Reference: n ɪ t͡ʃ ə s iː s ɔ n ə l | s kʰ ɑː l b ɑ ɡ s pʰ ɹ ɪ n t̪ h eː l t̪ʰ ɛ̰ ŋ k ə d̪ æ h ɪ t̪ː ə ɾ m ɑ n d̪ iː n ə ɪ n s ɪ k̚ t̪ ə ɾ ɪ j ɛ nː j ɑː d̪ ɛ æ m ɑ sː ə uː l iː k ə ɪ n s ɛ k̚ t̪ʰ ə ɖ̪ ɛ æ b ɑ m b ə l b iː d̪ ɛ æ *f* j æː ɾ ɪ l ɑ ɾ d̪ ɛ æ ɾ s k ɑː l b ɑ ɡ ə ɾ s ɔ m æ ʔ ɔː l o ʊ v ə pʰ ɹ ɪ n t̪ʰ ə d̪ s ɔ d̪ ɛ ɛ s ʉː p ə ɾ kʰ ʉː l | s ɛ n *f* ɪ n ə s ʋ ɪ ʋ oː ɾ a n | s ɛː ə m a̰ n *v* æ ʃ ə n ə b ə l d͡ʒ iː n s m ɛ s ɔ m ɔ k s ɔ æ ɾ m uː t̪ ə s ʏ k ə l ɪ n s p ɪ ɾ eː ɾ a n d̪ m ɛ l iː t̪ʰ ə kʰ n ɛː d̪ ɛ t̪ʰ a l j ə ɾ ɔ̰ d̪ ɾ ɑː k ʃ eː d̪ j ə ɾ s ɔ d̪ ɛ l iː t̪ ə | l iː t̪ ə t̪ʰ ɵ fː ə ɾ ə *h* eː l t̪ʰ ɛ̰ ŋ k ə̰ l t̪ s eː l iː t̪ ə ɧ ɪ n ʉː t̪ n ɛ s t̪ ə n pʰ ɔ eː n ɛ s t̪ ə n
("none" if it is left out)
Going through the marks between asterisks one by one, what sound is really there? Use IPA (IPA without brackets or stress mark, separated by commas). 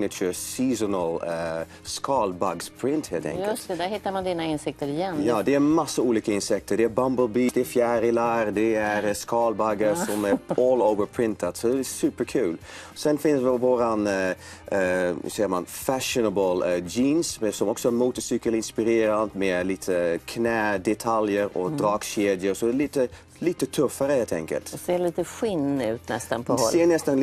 f, f, f, h